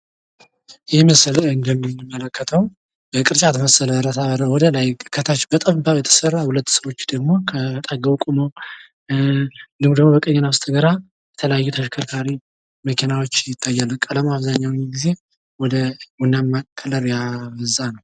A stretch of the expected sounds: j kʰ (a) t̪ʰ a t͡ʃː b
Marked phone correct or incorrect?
incorrect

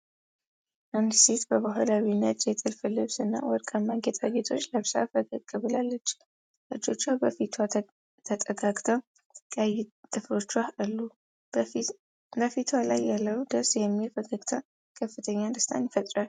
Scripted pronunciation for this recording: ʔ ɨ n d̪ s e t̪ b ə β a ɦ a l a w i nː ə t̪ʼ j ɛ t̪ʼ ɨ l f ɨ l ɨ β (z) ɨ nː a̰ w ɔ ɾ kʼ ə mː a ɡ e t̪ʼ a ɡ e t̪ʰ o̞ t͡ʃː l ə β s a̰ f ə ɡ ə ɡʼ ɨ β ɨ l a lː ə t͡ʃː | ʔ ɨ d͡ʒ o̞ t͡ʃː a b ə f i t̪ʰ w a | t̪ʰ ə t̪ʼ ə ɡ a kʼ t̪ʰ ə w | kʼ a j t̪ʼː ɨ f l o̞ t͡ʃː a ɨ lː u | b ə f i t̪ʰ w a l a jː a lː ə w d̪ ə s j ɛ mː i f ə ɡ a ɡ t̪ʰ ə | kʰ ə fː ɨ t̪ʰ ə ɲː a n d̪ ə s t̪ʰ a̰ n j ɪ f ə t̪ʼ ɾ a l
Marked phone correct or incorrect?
incorrect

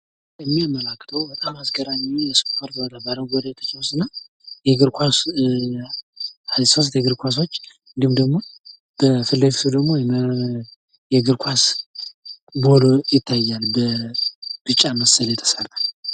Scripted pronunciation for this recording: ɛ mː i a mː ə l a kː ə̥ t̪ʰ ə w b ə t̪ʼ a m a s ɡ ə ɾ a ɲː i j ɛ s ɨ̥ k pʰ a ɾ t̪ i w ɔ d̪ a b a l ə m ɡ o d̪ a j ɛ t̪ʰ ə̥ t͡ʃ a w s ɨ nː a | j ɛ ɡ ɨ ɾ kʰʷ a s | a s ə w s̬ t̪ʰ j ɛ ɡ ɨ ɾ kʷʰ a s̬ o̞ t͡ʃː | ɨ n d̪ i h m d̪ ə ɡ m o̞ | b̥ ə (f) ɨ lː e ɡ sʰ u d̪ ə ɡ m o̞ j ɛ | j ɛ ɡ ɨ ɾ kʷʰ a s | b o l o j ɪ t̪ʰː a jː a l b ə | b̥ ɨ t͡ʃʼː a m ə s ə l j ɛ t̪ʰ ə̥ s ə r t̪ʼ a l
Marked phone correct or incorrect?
correct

